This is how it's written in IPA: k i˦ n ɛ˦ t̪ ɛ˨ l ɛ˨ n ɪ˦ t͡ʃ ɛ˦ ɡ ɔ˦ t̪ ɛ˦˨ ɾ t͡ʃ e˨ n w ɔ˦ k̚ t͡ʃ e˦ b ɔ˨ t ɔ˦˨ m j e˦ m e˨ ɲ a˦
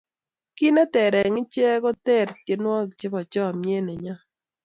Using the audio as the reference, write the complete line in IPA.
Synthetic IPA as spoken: k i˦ n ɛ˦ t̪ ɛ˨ ɾ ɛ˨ ŋ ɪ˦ t͡ʃ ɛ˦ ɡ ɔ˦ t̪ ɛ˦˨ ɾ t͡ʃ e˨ n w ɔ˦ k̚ t͡ʃ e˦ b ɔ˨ t͡ʃ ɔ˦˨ m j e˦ n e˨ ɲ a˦